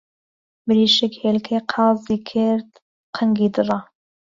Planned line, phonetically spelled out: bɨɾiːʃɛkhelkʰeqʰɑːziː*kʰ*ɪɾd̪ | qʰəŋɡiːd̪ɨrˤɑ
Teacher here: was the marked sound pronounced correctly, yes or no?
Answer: yes